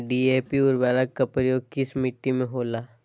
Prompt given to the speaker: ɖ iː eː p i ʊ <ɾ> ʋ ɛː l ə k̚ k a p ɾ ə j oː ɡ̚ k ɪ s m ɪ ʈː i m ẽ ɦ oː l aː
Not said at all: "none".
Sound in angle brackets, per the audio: ɾ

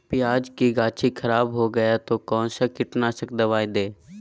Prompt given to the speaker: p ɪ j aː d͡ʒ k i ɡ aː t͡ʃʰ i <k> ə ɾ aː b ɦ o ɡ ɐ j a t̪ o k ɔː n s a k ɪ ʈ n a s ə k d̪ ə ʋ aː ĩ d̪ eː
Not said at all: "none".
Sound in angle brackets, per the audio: kʰ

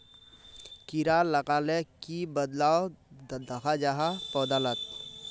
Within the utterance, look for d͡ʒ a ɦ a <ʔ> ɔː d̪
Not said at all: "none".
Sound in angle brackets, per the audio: p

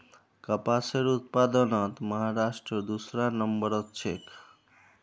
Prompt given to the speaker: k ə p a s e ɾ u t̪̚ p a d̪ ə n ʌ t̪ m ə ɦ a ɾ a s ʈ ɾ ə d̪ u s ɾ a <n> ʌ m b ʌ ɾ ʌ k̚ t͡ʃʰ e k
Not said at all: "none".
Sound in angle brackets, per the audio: n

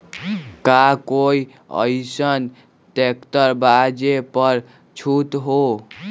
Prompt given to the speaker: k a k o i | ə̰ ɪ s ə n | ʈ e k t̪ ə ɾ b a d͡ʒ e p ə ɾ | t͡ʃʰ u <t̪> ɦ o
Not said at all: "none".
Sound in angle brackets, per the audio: t̪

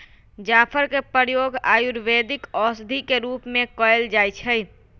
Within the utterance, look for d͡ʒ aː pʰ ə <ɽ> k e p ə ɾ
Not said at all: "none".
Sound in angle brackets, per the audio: ɾ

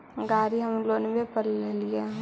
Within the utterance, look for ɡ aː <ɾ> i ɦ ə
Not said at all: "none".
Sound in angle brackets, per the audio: ɾ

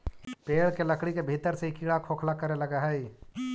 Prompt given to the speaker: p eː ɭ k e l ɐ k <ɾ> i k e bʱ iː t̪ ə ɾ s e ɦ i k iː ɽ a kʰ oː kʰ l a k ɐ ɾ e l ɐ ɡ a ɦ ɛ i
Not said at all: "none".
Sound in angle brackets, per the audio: ɽ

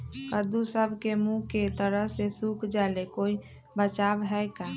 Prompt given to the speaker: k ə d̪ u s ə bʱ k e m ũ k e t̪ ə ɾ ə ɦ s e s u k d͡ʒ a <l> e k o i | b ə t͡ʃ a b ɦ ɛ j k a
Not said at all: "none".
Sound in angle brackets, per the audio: l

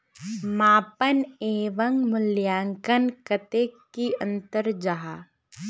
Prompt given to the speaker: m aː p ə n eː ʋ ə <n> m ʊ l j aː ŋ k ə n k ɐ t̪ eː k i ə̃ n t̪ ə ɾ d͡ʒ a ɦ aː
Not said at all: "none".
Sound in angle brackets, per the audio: ŋ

